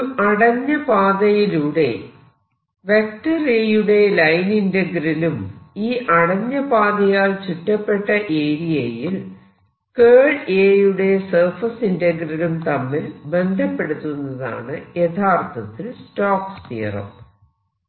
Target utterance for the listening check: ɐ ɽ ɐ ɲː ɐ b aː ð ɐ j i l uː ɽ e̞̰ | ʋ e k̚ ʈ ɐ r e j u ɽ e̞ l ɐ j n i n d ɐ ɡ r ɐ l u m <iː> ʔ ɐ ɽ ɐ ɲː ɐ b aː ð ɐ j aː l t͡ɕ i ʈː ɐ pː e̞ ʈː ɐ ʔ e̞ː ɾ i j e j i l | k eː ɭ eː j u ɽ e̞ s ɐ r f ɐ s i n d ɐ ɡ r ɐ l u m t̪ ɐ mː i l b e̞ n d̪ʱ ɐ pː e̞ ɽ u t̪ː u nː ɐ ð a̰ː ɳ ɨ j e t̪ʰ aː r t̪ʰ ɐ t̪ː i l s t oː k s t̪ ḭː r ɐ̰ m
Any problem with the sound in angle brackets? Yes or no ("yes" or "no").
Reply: no